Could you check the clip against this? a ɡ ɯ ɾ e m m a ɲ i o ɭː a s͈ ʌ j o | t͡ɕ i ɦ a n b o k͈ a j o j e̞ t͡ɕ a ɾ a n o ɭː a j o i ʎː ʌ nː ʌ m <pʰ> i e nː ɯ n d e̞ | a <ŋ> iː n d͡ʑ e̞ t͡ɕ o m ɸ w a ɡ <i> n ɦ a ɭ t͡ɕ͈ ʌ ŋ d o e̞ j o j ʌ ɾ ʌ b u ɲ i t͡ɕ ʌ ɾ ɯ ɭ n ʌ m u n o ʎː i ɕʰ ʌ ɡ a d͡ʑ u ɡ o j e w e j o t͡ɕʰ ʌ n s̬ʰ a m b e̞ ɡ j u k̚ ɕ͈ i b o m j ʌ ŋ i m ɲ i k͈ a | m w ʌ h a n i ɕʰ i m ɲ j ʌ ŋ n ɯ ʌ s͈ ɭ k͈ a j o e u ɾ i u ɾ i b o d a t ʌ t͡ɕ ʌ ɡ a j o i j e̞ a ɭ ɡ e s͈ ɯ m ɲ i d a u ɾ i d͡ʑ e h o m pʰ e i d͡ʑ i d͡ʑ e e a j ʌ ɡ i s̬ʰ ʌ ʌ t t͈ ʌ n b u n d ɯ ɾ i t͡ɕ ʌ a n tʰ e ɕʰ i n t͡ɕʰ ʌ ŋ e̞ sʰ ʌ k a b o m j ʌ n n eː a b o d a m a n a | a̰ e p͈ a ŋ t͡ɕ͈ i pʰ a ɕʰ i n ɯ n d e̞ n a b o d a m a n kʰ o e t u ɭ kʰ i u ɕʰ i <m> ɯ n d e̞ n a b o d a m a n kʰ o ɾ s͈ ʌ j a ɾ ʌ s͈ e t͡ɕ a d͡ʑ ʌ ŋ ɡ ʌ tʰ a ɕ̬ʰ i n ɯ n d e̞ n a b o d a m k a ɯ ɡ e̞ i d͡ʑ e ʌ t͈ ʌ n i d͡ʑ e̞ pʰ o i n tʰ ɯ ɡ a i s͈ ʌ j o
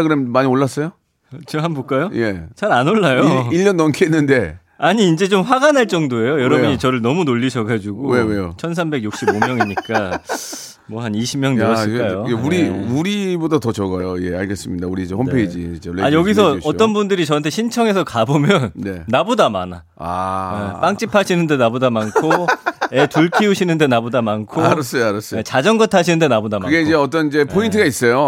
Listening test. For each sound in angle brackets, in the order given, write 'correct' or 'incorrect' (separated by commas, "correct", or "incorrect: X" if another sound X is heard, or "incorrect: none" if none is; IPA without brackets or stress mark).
incorrect: kʰ, incorrect: ɲ, incorrect: a, incorrect: n